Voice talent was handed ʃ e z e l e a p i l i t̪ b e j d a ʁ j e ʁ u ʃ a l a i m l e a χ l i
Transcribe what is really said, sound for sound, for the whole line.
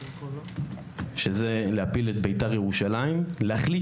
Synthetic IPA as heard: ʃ e z e l e a p i l e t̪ b e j t a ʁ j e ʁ u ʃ a l a i m l e a χ l i